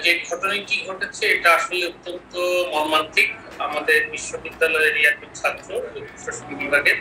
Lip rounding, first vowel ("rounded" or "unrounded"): unrounded